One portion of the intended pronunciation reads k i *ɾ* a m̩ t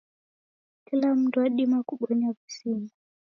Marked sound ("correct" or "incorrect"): incorrect